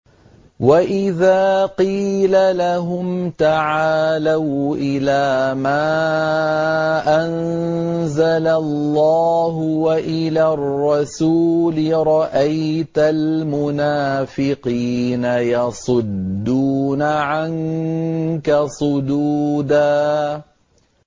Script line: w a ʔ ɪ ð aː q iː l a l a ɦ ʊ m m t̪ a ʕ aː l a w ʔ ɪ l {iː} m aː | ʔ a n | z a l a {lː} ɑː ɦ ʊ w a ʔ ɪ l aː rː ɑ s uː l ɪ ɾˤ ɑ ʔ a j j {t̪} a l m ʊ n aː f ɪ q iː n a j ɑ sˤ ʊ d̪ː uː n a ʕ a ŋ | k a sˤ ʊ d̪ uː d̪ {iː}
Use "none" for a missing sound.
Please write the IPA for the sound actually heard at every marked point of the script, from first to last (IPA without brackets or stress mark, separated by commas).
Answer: aː, lː, t̪, aː